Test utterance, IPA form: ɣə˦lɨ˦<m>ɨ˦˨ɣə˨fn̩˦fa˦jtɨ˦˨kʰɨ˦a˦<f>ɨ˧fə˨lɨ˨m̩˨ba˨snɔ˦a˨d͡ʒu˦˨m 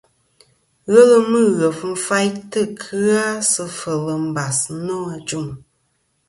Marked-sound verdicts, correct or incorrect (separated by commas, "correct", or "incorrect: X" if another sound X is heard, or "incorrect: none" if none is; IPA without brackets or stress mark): correct, incorrect: s